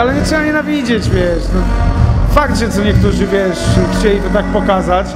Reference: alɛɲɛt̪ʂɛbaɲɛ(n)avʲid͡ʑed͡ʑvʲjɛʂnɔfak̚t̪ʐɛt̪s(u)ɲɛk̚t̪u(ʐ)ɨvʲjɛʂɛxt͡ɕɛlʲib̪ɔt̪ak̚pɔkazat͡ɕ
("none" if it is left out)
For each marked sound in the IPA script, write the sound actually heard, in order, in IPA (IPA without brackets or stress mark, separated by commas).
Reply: n, ɔ, ʐ